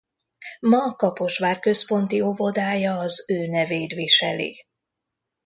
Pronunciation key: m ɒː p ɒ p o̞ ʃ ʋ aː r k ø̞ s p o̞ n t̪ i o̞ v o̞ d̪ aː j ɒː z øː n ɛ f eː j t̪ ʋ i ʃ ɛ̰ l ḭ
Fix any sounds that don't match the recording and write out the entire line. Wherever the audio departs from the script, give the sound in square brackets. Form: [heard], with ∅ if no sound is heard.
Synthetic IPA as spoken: m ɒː [k] ɒ p o̞ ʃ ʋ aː r k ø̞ s p o̞ n t̪ i o̞ v o̞ d̪ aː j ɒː z øː n ɛ [v] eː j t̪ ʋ i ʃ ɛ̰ l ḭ